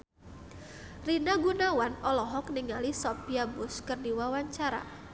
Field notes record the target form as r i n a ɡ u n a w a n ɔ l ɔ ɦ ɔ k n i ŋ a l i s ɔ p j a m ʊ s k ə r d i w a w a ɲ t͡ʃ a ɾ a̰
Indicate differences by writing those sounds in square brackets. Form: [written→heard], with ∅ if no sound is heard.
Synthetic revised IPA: r i n a ɡ u n a w a n ɔ l ɔ ɦ ɔ k n i ŋ a l i s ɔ p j a [m→b] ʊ s k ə r d i w a w a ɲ t͡ʃ a ɾ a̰